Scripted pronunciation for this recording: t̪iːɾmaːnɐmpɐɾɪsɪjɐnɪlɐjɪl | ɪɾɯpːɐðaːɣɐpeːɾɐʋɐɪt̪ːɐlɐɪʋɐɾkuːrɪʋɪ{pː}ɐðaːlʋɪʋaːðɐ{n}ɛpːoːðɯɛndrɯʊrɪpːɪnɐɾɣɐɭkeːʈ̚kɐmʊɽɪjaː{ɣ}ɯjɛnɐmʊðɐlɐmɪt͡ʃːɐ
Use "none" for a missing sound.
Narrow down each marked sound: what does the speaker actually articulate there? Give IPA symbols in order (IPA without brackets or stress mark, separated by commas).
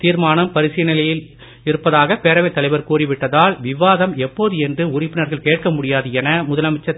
ʈː, m, ð